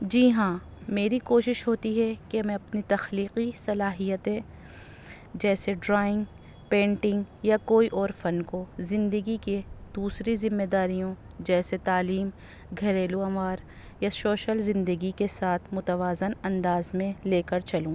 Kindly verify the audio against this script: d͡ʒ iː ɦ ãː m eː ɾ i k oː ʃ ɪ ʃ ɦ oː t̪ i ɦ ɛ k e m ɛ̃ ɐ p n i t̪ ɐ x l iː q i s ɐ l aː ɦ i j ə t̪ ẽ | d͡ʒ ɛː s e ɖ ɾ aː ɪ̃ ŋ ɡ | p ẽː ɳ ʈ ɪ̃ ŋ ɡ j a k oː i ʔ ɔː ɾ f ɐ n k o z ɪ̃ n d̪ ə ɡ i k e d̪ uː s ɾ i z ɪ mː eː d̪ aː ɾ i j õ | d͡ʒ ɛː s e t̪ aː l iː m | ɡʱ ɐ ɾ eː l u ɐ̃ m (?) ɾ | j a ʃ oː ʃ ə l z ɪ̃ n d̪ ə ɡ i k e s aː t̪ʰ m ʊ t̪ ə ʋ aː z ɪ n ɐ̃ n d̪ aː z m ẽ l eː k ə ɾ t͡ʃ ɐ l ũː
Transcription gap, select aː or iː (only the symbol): aː